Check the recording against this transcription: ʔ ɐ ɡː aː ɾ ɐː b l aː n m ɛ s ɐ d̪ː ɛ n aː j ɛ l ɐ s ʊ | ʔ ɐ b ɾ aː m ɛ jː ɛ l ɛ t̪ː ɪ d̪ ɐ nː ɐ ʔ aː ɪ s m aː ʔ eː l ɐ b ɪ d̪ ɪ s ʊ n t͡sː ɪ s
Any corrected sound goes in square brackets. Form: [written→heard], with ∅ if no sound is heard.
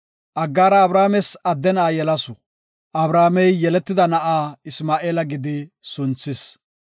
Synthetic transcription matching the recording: ʔ ɐ ɡː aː ɾ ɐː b [l→ɾ] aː [n→∅] m ɛ s ɐ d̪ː ɛ n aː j ɛ l ɐ s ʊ | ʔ ɐ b ɾ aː m ɛ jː ɛ l ɛ t̪ː ɪ d̪ ɐ [nː→n] ɐ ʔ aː ɪ s m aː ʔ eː l ɐ [b→ɡ] ɪ d̪ ɪ s ʊ n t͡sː ɪ s